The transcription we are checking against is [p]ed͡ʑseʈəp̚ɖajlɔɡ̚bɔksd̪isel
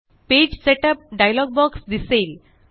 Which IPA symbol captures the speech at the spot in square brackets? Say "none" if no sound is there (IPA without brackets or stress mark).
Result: p